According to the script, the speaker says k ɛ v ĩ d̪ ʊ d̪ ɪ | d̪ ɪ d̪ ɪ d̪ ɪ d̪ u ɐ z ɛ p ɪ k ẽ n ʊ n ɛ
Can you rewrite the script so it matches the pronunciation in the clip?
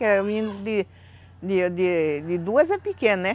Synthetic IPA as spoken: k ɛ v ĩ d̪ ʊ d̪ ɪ | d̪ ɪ d̪ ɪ d̪ ɪ d̪ u ɐ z ɛ p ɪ k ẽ n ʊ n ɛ

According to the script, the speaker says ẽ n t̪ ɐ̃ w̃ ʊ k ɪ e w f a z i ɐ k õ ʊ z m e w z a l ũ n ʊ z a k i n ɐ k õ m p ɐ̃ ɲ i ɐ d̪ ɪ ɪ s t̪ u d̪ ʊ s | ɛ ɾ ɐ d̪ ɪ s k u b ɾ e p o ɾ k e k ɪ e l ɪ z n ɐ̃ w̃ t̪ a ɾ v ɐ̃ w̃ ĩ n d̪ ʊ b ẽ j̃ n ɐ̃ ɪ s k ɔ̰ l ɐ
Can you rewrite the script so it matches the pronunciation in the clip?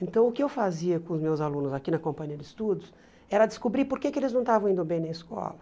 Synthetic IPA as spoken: ẽ n t̪ ɐ̃ w̃ ʊ k ɪ e w f a z i ɐ k õ ʊ z m e w z a l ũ n ʊ z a k i n ɐ k õ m p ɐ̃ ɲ i ɐ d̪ ɪ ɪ s t̪ u d̪ ʊ s | ɛ ɾ ɐ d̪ ɪ s k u b ɾ i p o ɾ k e k ɪ e l ɪ z n ɐ̃ w̃ t̪ a v ɐ̃ w̃ ĩ n d̪ ʊ b ẽ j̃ n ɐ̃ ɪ s k ɔ̰ l ɐ

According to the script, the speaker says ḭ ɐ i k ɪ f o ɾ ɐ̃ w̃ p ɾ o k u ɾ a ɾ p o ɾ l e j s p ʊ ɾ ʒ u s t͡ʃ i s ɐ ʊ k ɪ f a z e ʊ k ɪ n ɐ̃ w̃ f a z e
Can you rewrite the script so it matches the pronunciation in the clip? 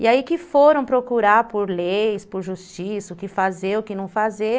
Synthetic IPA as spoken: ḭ a i k ɪ f o ɾ ɐ̃ w̃ p ɾ o k u ɾ a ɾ p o ɾ l e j s p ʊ ɾ ʒ u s t͡ʃ i s ɐ ʊ k ɪ f a z e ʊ k ɪ n ɐ̃ w̃ f a z e

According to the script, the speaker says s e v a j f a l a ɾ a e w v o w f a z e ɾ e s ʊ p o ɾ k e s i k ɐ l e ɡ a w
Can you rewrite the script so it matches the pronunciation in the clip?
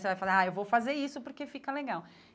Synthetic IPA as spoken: s e v a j f a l a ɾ a e w v o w f a z e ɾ i s ʊ p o ɾ k e f i k ɐ l e ɡ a w

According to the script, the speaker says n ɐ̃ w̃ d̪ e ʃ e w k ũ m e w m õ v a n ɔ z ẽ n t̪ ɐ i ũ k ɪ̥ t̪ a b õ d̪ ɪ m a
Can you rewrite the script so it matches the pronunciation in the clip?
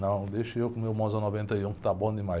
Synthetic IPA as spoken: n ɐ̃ w̃ d̪ e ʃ e w k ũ m e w m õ z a n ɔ v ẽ n t̪ ɐ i ũ k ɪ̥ t̪ a b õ d̪ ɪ m a

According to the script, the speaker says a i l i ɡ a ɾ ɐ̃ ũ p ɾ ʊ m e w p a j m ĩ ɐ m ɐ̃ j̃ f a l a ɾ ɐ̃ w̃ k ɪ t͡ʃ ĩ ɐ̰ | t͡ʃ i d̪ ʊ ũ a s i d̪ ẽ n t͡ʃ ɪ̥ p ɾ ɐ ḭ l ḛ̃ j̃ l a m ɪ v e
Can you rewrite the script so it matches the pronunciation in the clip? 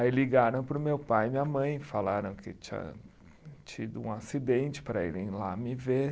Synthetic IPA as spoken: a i l i ɡ a ɾ ɐ̃ w̃ p ɾ ʊ m e w p a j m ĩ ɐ m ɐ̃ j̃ f a l a ɾ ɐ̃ w̃ k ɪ t͡ʃ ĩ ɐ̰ | t͡ʃ i d̪ ʊ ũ a s i d̪ ẽ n t͡ʃ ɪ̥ p ɾ ɐ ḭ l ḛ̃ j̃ l a m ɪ v e

